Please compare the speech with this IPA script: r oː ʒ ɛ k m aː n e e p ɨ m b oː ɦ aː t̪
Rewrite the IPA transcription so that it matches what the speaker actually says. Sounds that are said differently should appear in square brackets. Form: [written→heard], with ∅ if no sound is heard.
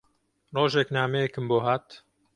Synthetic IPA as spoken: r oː ʒ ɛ k [m→n] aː [n→m] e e [p→k] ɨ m b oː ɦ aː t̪